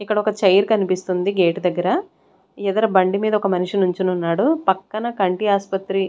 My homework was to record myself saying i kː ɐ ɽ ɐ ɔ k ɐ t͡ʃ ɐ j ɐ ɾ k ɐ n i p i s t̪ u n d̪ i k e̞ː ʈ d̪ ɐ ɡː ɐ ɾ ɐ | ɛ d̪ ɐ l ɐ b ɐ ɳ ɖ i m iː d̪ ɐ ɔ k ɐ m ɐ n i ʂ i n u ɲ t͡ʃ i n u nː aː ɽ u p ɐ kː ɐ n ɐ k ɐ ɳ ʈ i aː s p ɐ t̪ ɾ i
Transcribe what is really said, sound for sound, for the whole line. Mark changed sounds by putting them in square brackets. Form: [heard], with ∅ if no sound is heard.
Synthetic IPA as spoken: i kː ɐ ɽ ɐ ɔ k ɐ t͡ʃ ɐ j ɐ ɾ k ɐ n i p i s t̪ u n d̪ i [ɡ] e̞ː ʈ d̪ ɐ ɡː ɐ ɾ ɐ | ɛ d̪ ɐ [ɾ] ɐ b ɐ ɳ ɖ i m iː d̪ ɐ ɔ k ɐ m ɐ n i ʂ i n u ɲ t͡ʃ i n u nː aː ɽ u p ɐ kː ɐ n ɐ k ɐ ɳ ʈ i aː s p ɐ t̪ ɾ i